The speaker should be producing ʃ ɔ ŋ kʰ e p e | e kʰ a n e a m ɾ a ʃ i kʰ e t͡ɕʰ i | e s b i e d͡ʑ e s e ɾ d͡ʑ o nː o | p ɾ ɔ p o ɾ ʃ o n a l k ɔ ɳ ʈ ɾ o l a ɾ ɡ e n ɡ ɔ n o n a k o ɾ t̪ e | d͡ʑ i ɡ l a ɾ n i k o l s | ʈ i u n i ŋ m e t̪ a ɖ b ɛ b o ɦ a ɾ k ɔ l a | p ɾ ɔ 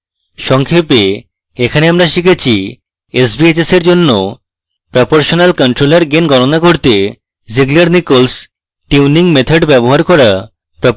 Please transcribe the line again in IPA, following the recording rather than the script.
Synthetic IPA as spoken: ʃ ɔ ŋ kʰ e p e | e kʰ a n e a m ɾ a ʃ i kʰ e t͡ɕʰ i | e s b i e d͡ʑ e s e ɾ d͡ʑ o nː o | p ɾ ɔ p o ɾ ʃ o n a l k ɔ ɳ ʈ ɾ o l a ɾ ɡ e n ɡ ɔ n o n a k o ɾ t̪ e | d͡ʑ i ɡ l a ɾ n i k o l s | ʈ i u n i ŋ m e t̪ʰ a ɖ b ɛ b o ɦ a ɾ k ɔ ɾ a | p ɾ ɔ